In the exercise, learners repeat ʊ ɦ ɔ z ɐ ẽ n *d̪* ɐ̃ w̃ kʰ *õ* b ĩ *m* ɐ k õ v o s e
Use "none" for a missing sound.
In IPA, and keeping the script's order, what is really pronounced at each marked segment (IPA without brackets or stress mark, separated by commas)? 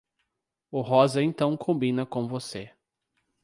t̪, õ, n